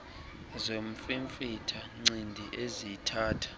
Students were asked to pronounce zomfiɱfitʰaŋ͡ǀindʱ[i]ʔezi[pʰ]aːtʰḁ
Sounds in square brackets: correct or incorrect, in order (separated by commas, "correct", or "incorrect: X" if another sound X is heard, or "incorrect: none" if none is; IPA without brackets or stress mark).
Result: correct, incorrect: tʰ